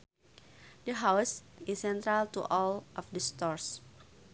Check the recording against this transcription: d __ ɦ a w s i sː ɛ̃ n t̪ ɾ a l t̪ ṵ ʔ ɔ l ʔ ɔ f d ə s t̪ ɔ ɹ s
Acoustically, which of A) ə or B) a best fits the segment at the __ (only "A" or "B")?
A